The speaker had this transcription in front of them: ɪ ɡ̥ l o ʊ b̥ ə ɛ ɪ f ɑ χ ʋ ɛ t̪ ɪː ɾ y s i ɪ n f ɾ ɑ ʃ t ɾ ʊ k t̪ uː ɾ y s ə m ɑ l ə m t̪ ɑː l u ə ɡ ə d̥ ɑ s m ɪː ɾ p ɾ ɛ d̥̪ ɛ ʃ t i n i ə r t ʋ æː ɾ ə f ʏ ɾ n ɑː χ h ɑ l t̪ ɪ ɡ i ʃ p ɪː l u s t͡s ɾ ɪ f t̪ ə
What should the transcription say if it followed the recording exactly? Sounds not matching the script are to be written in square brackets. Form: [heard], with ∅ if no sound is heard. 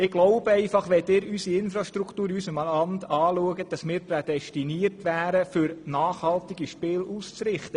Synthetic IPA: ɪ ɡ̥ l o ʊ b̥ ə ɛ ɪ f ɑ χ ʋ ɛ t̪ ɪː ɾ y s i ɪ n f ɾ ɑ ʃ t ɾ [u] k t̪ uː ɾ y s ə m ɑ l [ɑ] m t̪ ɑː l u ə ɡ ə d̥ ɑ s m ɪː ɾ p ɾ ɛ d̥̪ ɛ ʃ t i n i ə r t ʋ æː ɾ ə f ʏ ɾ n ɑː χ h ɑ l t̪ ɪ ɡ i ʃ p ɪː l u s t͡s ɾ ɪ [χ] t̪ ə